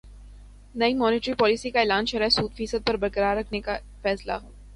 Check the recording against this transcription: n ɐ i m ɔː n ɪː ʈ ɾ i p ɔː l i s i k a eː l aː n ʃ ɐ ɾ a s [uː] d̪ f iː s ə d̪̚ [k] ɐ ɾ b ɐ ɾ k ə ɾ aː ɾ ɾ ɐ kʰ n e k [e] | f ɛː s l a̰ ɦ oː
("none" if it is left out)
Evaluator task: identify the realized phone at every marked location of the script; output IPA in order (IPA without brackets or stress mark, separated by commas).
uː, p, a